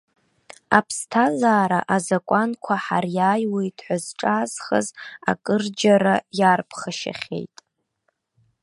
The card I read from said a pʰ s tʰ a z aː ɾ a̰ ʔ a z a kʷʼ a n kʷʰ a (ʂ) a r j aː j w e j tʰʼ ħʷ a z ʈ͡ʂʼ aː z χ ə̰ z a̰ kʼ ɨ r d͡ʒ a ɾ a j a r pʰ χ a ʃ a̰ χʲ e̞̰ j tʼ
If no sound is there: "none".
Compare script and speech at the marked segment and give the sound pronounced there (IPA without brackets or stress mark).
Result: ħ